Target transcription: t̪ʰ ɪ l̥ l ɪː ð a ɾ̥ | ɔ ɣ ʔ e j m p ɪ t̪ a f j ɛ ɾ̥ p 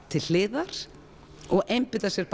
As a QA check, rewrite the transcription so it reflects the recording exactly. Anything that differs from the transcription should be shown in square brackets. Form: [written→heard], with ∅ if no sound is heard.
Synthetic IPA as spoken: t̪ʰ ɪ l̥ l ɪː ð a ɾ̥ | ɔ ɣ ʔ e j m p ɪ t̪ a [f→s] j ɛ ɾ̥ p